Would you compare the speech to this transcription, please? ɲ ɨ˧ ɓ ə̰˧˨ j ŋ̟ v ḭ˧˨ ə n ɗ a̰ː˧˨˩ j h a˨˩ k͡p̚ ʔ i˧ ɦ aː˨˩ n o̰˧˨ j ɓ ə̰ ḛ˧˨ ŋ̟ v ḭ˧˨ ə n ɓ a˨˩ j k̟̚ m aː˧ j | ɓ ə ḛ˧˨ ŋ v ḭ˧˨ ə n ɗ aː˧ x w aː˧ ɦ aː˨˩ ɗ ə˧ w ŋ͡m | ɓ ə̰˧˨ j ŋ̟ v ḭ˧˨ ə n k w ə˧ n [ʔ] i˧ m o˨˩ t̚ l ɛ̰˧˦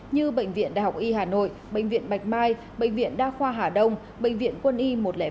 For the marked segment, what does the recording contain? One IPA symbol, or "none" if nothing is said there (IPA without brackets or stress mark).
ʔ